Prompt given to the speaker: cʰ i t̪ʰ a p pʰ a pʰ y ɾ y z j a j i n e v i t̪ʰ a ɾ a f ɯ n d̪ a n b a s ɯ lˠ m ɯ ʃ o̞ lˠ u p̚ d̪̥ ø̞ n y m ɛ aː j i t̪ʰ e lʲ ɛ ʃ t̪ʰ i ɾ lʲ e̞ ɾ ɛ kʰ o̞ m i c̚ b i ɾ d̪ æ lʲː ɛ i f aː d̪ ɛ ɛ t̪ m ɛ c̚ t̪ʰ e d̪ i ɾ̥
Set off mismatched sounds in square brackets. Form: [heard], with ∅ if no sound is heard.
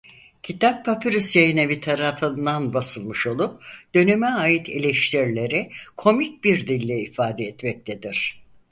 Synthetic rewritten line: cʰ i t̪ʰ a p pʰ a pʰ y ɾ y [s] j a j i n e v i t̪ʰ a ɾ a f ɯ n d̪ a n b a s ɯ lˠ m ɯ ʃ o̞ lˠ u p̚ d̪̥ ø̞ n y m ɛ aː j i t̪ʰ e lʲ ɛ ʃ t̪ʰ i ɾ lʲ e̞ ɾ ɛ kʰ o̞ m i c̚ b i ɾ d̪ [i] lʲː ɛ i f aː d̪ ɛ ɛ t̪ m ɛ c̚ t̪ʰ e d̪ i ɾ̥

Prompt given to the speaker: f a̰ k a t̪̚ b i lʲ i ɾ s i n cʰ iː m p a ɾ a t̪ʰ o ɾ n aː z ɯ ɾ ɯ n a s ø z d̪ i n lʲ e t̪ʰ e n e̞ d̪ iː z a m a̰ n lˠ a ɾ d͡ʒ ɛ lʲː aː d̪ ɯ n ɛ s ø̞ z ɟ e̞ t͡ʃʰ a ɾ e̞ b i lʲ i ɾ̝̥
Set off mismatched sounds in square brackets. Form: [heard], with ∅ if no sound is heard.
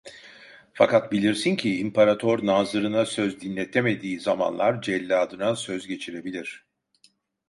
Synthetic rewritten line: f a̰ k a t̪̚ b i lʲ i ɾ s i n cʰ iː m p a ɾ a t̪ʰ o ɾ n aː z ɯ ɾ ɯ n a s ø z d̪ i n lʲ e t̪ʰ e [m] e̞ d̪ iː z a m a̰ n lˠ a ɾ d͡ʒ ɛ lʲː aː d̪ ɯ n [a] s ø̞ z ɟ e̞ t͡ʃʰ [i] ɾ e̞ b i lʲ i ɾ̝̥

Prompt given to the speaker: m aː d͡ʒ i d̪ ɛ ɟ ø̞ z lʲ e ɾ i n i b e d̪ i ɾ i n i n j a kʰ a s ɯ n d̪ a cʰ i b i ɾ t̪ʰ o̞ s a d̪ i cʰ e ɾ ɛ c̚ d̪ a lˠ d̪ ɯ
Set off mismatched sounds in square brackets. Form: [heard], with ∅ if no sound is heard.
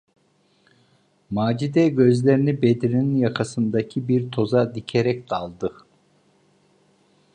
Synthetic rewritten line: m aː d͡ʒ i d̪ ɛ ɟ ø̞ z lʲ e ɾ i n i b e d̪ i ɾ i n i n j a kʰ a s ɯ n d̪ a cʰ i b i ɾ t̪ʰ o̞ [z] a d̪ i cʰ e ɾ ɛ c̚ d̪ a lˠ d̪ ɯ

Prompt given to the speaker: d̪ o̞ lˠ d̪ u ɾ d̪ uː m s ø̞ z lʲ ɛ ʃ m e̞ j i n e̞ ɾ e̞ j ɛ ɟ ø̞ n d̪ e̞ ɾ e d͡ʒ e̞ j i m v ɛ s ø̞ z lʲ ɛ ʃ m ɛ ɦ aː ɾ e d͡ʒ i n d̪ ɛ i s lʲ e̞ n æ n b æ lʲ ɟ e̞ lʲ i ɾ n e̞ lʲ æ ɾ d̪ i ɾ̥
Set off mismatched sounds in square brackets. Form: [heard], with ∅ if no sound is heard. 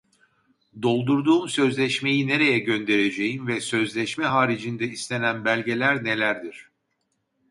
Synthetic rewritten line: d̪ o̞ lˠ d̪ u ɾ d̪ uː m s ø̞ z lʲ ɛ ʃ m e̞ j i n e̞ ɾ e̞ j ɛ ɟ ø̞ n d̪ e̞ ɾ e d͡ʒ e̞ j i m v ɛ s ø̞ z lʲ ɛ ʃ m ɛ ɦ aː ɾ [i] d͡ʒ i n d̪ ɛ i s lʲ e̞ n æ n b æ lʲ ɟ e̞ lʲ [æ] ɾ n e̞ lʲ æ ɾ d̪ i ɾ̥

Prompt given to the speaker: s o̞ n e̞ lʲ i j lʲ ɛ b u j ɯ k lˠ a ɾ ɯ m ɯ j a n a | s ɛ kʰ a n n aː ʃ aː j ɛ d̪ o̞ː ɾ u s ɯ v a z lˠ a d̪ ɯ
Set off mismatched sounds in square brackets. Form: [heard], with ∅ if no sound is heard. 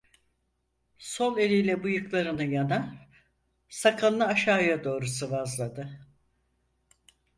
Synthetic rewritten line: s o̞ n e̞ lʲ i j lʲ ɛ b u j ɯ k lˠ a ɾ ɯ [n] ɯ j a n a | s [a] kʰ a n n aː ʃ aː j [a] d̪ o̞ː ɾ u s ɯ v a z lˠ a d̪ ɯ

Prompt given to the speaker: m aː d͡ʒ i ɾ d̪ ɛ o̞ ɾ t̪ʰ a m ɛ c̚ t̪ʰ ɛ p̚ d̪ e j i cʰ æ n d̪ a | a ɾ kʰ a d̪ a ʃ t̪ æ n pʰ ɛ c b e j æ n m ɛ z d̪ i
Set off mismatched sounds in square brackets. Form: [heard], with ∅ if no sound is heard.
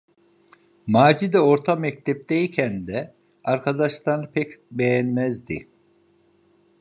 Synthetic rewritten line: m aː d͡ʒ i [∅] d̪ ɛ o̞ ɾ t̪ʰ a m ɛ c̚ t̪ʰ ɛ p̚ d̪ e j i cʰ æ n d̪ [ɛ] | a ɾ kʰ a d̪ a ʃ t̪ [a] n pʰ ɛ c b e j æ n m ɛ z d̪ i

